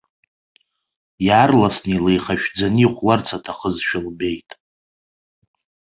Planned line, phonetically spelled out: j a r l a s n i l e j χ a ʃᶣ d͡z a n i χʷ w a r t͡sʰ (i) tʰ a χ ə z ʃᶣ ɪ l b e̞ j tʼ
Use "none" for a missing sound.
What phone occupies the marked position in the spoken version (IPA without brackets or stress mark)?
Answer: a